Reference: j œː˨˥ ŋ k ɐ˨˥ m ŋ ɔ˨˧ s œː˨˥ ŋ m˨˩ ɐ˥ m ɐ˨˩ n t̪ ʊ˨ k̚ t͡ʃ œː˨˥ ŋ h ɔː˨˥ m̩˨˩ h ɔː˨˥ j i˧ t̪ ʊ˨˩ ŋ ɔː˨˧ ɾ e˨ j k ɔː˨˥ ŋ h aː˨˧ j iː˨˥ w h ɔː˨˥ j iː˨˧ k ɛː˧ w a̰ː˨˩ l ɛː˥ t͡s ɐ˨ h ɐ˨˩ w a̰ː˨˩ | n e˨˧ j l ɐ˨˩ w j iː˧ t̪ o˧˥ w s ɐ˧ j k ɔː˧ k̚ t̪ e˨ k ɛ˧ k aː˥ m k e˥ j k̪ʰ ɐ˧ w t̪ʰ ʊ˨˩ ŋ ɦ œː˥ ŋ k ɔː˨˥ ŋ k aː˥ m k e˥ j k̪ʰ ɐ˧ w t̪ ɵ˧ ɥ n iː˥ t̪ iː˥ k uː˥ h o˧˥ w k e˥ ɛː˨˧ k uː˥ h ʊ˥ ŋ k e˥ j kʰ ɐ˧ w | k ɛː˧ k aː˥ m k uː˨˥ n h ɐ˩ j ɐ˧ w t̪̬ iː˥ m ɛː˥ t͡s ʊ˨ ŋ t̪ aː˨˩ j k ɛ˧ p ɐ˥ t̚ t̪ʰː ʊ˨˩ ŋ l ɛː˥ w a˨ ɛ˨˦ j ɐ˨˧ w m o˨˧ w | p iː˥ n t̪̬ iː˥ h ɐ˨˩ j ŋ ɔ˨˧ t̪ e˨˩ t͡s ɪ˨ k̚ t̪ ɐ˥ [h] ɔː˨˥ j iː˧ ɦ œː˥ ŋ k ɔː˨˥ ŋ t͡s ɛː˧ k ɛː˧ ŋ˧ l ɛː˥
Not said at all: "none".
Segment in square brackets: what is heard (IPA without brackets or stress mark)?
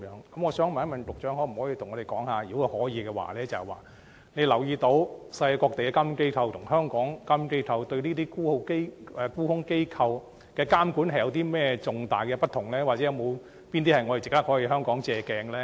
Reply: h